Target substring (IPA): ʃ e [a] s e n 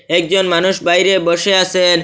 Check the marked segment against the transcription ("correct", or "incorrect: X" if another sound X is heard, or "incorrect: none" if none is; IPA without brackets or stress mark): correct